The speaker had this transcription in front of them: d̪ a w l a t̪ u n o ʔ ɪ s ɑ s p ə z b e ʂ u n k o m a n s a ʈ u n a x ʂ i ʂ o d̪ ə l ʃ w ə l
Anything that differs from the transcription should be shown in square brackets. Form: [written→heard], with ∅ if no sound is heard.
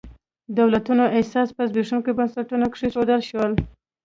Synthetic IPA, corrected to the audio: d̪ a w l a t̪ u n o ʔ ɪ s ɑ s p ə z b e ʂ u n k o [m→b] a n s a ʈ u n a [x→k] ʂ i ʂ o d̪ ə l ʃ w ə l